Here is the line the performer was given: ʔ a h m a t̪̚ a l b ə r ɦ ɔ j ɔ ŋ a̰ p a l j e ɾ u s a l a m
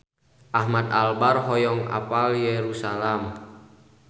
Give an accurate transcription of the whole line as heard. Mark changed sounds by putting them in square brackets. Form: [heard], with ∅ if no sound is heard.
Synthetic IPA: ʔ a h m a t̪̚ a l b [a] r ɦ ɔ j ɔ ŋ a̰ p a l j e ɾ u s a l a m